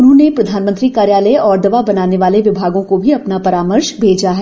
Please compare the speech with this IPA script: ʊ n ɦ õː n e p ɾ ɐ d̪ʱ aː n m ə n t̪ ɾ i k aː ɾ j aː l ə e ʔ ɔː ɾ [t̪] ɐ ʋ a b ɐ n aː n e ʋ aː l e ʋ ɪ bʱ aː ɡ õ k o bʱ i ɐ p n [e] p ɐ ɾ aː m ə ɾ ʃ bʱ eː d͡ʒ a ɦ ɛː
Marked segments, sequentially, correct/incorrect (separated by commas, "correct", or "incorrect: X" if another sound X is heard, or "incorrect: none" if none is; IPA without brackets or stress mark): incorrect: d̪, incorrect: a